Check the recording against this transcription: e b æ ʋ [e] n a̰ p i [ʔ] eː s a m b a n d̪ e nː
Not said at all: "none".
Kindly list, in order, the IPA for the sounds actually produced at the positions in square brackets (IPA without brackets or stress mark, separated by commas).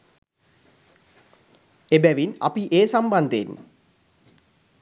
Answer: i, ʔ